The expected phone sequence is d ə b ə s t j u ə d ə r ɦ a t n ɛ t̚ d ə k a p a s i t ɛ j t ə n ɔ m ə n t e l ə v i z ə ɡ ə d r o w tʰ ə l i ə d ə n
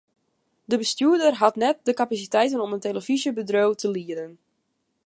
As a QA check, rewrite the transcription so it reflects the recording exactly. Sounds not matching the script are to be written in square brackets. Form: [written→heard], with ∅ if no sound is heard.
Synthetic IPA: d ə b ə s t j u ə d ə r ɦ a t n ɛ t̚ d ə k a p a s i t ɛ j t ə n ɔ m ə n t e l ə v i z ə [ɡ→b] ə d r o w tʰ ə l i ə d ə n